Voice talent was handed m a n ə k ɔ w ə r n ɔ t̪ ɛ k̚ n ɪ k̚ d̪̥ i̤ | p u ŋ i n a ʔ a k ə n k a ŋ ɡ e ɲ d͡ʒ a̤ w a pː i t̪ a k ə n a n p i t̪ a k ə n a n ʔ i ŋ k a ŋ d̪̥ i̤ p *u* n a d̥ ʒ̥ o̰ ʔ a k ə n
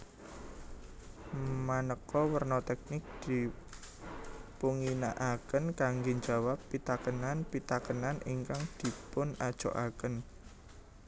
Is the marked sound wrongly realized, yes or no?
yes